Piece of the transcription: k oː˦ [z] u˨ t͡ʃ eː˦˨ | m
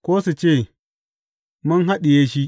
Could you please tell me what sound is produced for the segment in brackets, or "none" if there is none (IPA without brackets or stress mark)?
s